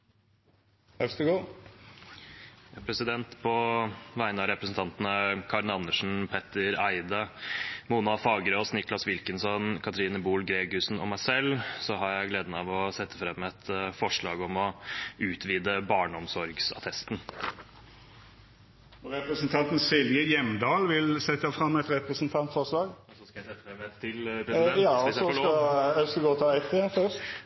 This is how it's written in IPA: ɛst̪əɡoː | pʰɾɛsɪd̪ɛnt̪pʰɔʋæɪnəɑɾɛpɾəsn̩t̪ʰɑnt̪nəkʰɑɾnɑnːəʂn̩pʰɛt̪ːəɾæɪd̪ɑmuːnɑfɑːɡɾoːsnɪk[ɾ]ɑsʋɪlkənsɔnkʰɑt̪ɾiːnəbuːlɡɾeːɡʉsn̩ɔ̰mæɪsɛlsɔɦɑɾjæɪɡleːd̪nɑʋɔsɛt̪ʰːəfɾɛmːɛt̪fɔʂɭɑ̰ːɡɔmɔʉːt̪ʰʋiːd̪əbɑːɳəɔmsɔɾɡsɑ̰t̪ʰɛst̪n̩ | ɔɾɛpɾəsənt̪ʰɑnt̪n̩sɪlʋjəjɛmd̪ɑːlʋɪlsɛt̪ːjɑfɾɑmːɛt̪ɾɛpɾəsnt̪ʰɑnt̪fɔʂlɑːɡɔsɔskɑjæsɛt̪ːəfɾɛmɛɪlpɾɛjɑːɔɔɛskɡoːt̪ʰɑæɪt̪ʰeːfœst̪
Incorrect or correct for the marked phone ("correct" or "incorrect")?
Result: incorrect